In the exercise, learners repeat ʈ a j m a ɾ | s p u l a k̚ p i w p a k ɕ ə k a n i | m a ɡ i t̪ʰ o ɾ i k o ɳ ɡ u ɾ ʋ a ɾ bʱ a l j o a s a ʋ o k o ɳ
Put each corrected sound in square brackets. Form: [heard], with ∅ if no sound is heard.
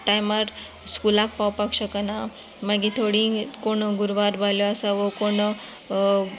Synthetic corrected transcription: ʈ a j m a ɾ | s [k] u l a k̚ p [a] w p a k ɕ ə k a n [a] | m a ɡ i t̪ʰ o [ɽ] i k o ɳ ɡ u ɾ ʋ a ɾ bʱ a l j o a s a ʋ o k o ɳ